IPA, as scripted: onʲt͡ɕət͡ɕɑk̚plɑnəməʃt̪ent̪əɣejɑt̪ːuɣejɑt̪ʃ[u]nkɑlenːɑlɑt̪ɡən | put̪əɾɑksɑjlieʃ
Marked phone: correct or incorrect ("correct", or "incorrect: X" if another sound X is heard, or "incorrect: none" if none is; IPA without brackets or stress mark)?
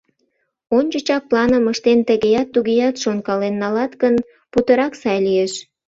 incorrect: o